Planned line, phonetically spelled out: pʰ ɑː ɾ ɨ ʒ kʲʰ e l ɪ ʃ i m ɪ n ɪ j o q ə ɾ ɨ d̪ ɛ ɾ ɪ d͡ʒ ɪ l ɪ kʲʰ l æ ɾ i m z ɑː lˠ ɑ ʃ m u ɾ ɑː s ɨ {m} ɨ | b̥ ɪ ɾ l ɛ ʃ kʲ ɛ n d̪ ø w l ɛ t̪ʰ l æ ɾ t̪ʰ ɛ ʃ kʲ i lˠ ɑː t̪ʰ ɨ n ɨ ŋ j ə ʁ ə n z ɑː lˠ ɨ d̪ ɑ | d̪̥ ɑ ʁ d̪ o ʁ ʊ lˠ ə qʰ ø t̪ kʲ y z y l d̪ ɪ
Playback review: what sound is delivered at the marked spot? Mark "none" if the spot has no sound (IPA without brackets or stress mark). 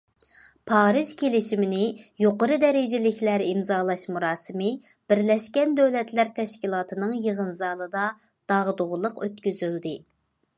m